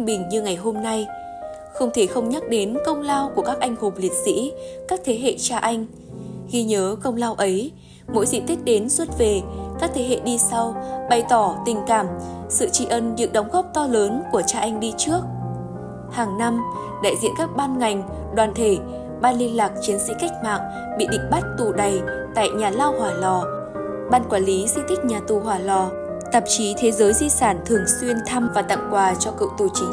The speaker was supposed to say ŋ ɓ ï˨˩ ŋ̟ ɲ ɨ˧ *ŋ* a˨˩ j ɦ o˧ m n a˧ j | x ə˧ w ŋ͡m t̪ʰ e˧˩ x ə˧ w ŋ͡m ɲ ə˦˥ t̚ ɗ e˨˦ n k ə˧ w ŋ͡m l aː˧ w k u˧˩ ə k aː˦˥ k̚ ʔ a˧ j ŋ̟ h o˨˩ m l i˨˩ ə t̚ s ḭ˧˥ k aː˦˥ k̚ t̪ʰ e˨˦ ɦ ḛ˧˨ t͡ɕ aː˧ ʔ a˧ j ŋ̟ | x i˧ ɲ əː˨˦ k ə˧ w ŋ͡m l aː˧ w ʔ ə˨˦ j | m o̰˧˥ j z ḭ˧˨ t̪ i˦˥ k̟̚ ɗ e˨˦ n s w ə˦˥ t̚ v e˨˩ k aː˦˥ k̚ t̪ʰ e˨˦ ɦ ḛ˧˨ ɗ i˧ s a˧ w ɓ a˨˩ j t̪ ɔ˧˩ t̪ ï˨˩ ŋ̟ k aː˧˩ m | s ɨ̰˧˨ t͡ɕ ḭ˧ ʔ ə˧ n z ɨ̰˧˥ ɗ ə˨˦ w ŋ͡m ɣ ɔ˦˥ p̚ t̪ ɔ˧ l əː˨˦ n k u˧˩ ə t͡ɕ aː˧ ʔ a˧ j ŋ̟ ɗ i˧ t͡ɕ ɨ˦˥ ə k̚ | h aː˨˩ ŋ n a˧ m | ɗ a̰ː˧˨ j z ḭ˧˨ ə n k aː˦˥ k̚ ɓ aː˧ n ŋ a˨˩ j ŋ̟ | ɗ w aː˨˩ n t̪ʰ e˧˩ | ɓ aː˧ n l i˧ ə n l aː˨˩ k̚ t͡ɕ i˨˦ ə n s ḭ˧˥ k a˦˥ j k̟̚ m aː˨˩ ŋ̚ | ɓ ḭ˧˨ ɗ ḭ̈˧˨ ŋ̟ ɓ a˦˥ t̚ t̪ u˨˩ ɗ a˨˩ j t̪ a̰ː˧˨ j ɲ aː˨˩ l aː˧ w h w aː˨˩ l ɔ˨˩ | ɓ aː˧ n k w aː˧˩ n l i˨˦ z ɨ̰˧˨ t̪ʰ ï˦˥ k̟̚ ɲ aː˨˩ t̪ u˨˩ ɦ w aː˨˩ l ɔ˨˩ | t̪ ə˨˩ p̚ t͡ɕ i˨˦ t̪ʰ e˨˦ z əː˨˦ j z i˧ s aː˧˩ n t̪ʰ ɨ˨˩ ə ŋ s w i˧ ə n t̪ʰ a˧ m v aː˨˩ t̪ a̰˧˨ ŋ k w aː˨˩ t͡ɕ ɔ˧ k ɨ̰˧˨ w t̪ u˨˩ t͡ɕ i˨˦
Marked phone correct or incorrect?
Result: correct